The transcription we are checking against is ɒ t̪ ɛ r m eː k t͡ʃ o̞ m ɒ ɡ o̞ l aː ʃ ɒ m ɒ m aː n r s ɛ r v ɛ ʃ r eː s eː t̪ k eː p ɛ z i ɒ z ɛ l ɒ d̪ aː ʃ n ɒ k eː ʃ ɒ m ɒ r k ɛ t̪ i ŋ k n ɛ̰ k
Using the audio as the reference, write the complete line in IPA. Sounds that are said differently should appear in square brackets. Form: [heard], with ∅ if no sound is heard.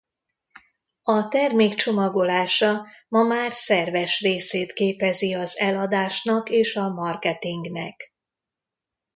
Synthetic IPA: ɒ t̪ ɛ r m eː k t͡ʃ o̞ m ɒ ɡ o̞ l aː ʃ ɒ m ɒ m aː [∅] r s ɛ r v ɛ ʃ r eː s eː t̪ k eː p ɛ z i ɒ z ɛ l ɒ d̪ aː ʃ n ɒ k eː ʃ ɒ m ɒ r k ɛ t̪ i ŋ [ɡ] n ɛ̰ k